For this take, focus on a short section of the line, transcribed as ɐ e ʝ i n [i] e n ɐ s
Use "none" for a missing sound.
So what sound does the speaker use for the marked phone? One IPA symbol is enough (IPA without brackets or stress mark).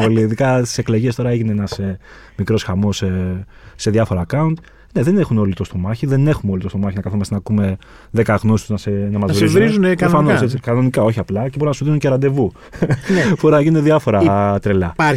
e